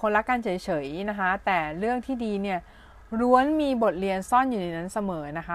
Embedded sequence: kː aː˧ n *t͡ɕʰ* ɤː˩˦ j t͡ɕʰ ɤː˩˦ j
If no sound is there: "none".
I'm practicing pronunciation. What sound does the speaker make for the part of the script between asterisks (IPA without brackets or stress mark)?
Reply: t͡ɕʰ